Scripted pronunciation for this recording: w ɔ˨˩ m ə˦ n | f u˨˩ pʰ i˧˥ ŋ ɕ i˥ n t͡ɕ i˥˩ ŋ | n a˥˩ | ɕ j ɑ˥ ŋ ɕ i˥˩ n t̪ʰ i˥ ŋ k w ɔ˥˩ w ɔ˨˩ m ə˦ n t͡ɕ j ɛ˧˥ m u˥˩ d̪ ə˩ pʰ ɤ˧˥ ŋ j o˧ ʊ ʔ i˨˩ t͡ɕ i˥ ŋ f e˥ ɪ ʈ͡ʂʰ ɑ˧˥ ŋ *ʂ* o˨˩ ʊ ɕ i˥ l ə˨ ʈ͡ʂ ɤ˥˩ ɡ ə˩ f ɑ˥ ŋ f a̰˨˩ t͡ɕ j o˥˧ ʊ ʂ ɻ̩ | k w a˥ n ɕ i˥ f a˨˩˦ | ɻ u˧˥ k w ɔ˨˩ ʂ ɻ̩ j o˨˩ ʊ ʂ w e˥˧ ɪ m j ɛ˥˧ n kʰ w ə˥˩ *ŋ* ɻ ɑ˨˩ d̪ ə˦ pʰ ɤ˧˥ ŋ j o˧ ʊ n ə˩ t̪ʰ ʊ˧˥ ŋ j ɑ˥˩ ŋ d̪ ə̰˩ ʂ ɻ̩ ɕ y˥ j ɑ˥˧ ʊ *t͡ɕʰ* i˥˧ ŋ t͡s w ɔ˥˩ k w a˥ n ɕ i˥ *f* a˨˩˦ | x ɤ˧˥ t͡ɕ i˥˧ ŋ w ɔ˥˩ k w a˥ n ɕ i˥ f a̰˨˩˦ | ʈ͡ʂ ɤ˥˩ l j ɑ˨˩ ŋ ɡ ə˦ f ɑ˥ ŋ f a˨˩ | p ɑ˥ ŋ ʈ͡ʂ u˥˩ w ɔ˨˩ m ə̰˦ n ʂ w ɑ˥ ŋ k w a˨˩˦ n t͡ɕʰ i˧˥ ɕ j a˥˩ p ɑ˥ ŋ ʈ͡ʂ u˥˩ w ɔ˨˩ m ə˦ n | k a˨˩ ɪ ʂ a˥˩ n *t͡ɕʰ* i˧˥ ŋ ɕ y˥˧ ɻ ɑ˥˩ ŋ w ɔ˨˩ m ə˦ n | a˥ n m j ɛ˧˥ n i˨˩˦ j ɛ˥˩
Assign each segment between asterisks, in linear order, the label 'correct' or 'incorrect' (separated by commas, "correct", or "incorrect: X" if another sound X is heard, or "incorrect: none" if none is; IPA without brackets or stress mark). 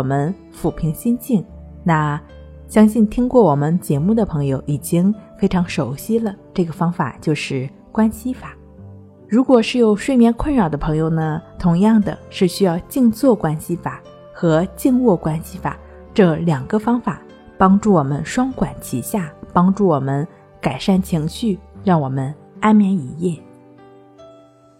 correct, incorrect: n, incorrect: t͡ɕ, correct, correct